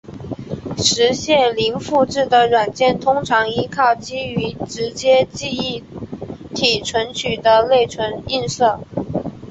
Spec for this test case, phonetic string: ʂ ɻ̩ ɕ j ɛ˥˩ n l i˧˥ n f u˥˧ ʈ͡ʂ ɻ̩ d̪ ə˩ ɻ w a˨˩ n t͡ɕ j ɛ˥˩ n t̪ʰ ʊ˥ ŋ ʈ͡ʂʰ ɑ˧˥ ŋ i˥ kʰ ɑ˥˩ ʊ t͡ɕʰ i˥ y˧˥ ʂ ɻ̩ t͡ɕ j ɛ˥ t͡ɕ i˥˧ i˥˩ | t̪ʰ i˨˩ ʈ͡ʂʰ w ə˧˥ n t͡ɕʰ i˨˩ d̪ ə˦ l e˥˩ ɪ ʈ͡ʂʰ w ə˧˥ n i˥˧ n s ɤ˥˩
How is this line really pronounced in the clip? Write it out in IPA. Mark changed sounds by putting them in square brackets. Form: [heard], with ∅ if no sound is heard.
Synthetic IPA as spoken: ʂ ɻ̩ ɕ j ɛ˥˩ n l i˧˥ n f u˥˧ ʈ͡ʂ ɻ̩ d̪ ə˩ ɻ w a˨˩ n t͡ɕ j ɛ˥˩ n t̪ʰ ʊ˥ ŋ ʈ͡ʂʰ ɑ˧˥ ŋ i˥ kʰ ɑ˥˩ ʊ [t͡ɕ] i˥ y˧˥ [ʈ͡ʂ] ɻ̩ t͡ɕ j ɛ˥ t͡ɕ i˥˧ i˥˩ | t̪ʰ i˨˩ ʈ͡ʂʰ w ə˧˥ n t͡ɕʰ [y˨˩] d̪ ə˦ l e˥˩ ɪ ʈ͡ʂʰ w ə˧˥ n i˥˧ n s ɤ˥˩